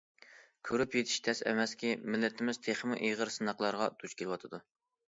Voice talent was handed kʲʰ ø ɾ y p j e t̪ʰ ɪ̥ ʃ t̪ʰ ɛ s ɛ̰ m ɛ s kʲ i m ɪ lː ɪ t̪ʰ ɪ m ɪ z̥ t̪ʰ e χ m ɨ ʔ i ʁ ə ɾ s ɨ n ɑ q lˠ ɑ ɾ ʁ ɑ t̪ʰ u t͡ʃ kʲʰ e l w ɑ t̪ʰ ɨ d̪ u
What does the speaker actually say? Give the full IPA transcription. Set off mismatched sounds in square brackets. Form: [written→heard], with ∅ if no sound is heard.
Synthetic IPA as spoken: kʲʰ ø ɾ y p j e t̪ʰ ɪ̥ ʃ t̪ʰ ɛ s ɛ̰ m ɛ s kʲ i m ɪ lː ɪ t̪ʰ ɪ m ɪ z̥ t̪ʰ e χ m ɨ ʔ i ʁ ə ɾ s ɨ n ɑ q lˠ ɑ ɾ ʁ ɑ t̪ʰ u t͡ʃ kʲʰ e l w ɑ t̪ʰ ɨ d̪ u